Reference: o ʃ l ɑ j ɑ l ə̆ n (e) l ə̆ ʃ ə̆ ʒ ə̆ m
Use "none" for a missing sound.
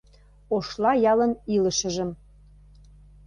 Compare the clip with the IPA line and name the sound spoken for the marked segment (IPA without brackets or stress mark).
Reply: i